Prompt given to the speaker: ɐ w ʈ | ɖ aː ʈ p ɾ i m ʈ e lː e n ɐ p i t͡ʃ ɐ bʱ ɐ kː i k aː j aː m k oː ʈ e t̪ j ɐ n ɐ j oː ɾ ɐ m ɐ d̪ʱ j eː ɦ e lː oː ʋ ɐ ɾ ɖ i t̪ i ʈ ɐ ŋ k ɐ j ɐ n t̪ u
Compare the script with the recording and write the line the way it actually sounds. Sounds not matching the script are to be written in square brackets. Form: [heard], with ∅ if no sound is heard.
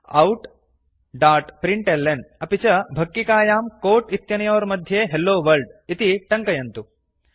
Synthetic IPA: ɐ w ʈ | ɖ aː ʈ p ɾ i [ɳ] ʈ e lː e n ɐ p i t͡ʃ ɐ bʱ ɐ kː i k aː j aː m k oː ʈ [i] t̪ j ɐ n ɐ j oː ɾ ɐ m ɐ d̪ʱ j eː ɦ e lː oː ʋ ɐ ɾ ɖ i t̪ i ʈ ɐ ŋ k ɐ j ɐ n t̪ u